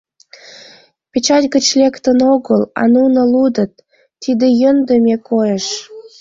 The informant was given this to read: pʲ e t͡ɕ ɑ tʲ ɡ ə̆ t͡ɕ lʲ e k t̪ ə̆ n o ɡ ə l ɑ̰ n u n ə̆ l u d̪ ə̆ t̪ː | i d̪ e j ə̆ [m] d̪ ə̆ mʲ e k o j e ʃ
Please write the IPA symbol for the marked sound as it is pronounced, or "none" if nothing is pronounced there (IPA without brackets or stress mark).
n